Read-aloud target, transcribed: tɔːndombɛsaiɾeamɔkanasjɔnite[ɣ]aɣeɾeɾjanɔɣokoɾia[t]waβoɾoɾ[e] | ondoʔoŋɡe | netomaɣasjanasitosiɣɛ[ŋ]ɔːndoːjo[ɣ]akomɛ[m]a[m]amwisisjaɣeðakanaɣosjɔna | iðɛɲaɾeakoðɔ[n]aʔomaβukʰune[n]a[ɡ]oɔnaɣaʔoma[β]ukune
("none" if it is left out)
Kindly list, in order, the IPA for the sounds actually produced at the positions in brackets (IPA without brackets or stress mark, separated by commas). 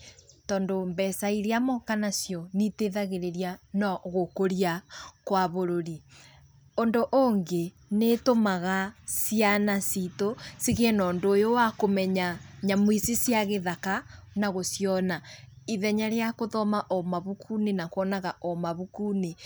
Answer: ð, k, i, n, w, ɲ, ɲ, m, n, k, β